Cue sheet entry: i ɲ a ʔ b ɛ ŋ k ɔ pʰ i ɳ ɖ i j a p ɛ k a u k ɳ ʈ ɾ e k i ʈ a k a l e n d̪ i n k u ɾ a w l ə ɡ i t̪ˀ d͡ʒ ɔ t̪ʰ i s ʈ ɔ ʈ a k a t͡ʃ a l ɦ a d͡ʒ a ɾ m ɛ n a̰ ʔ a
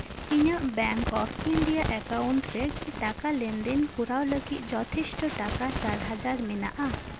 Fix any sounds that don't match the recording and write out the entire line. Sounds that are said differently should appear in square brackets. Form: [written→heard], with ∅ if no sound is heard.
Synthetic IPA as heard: i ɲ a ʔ b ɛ ŋ k ɔ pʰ i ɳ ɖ i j a [p→ʔ] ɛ k a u [k→∅] ɳ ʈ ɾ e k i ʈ a k a l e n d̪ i n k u ɾ a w l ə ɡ i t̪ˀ d͡ʒ ɔ t̪ʰ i s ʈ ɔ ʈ a k a t͡ʃ a [l→ɾ] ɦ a d͡ʒ a ɾ m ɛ n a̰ ʔ a